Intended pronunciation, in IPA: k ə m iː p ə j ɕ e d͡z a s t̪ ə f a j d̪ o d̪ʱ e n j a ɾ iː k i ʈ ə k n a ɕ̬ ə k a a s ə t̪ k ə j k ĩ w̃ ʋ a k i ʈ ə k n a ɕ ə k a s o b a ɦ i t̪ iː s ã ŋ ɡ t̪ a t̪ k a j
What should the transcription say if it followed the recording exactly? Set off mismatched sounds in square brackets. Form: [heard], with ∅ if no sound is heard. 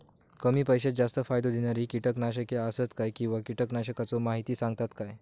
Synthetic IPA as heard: k ə m iː p ə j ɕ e d͡z a s t̪ ə f a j d̪ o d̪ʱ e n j a ɾ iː k i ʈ ə k n a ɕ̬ ə k [e] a s ə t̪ k [a] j k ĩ w̃ ʋ a k i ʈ ə k n a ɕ ə k a [t͡s] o [m] a ɦ i t̪ iː s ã ŋ ɡ t̪ a t̪ k a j